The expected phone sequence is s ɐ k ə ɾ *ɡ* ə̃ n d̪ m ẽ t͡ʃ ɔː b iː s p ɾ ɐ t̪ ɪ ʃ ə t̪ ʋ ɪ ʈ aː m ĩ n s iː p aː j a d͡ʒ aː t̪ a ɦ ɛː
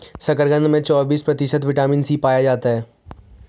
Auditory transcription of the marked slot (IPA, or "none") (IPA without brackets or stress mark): ɡ